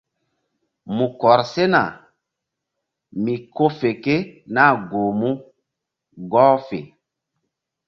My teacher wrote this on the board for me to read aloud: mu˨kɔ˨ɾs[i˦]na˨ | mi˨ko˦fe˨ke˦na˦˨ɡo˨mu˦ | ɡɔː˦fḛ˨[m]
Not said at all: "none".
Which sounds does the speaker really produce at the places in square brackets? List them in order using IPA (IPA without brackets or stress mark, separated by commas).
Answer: e˦, none